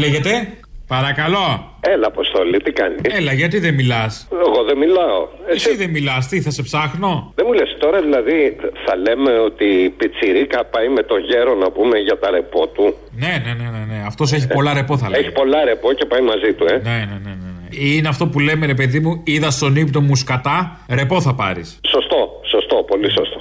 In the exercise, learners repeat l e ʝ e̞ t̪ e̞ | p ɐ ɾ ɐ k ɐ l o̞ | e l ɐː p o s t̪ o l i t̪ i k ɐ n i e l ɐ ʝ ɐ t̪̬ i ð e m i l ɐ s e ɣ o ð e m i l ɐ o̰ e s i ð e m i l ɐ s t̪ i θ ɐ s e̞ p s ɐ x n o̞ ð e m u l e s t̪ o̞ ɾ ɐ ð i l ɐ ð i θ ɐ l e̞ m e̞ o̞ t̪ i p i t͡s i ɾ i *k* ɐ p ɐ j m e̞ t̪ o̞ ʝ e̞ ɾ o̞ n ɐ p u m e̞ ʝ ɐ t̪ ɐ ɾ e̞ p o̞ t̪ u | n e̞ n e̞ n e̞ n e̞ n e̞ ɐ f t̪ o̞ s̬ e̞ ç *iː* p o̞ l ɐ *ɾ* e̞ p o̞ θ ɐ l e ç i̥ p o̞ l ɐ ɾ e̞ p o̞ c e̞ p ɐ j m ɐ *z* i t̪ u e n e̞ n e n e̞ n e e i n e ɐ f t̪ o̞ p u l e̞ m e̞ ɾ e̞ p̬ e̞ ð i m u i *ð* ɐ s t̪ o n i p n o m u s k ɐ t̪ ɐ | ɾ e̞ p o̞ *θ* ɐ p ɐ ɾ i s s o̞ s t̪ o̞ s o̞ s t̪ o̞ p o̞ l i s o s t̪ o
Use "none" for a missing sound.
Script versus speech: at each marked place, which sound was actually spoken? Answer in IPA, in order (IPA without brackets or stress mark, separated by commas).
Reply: k, i, ɾ, z, ð, θ